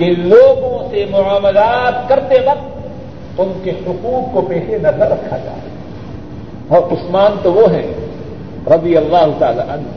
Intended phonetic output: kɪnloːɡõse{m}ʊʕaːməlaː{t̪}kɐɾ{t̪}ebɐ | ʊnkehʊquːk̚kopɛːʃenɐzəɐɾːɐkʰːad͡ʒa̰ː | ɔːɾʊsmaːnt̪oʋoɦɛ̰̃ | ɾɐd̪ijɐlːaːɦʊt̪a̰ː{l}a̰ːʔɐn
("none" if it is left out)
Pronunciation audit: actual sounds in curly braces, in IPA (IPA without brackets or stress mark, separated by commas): m, t̪, t̪, l